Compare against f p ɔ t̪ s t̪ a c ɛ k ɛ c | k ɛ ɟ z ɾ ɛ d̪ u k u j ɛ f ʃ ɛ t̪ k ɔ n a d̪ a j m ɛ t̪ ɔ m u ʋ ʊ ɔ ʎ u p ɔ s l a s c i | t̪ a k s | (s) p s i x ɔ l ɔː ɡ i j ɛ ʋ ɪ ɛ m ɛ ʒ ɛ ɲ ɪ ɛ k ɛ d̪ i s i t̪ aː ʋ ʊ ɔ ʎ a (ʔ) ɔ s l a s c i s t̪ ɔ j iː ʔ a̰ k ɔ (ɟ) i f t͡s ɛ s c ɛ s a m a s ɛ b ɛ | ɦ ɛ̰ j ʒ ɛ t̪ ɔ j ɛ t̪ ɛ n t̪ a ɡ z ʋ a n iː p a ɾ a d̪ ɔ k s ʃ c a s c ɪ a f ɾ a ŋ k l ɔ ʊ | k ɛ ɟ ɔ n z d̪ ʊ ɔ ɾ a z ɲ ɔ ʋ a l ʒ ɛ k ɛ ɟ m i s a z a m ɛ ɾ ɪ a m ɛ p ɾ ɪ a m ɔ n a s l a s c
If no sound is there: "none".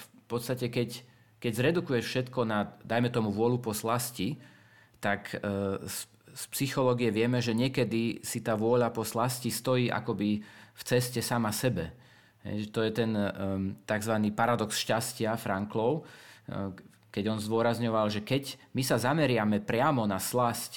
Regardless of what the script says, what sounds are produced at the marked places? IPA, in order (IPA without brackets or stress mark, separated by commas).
s, p, b